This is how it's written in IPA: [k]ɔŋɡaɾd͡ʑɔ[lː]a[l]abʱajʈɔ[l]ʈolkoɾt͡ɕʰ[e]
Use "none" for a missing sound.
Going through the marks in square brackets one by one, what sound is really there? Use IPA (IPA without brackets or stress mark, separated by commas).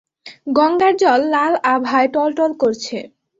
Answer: ɡ, lː, l, l, e